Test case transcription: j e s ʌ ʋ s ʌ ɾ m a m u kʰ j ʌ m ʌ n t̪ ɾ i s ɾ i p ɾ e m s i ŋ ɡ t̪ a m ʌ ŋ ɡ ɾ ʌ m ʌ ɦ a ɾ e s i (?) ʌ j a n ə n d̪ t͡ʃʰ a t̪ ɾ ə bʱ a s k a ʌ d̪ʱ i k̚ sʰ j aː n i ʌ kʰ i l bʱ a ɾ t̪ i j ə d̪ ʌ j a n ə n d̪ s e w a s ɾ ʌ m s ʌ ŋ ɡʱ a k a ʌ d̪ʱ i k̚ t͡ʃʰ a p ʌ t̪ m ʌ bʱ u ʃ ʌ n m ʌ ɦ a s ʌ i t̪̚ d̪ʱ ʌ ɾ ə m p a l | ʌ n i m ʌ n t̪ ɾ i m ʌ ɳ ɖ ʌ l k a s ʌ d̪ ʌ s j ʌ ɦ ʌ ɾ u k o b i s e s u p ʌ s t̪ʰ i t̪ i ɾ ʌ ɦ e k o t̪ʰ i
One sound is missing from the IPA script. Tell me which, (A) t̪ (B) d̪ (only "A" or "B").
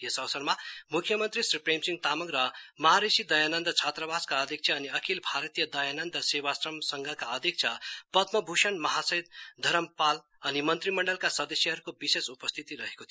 B